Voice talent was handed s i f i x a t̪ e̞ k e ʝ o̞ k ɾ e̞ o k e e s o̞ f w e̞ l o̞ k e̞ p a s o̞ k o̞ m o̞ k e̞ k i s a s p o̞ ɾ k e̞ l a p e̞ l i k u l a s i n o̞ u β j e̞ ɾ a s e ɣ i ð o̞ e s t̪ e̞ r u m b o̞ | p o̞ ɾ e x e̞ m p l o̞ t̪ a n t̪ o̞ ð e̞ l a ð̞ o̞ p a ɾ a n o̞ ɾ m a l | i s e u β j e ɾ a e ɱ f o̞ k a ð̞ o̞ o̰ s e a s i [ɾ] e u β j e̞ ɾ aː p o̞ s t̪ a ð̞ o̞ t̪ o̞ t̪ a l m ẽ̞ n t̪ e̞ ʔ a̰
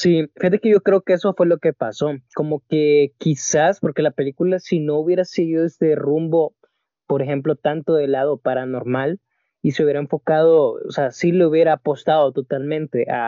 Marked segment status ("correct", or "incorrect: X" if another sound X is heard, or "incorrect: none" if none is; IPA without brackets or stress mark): incorrect: l